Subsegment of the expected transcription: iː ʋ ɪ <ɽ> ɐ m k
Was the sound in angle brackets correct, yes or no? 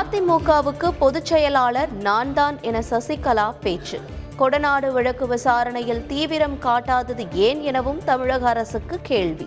no